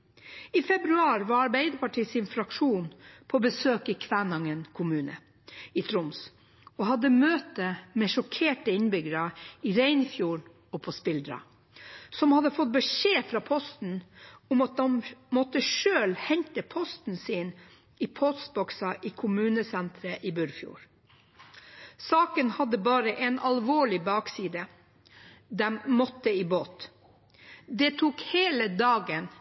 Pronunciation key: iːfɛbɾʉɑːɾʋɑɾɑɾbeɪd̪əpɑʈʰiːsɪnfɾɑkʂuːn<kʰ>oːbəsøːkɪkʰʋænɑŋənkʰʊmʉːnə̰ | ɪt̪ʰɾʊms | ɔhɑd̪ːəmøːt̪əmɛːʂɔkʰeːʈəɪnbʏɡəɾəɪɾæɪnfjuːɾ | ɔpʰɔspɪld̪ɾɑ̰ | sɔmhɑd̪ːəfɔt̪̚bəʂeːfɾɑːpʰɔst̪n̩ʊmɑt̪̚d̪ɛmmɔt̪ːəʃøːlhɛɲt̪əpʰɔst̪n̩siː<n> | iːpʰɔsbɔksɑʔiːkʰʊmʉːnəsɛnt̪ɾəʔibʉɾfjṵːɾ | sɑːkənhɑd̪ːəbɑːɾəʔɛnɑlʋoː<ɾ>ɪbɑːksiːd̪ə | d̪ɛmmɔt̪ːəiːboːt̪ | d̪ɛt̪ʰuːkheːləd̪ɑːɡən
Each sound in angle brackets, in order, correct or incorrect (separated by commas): incorrect, correct, incorrect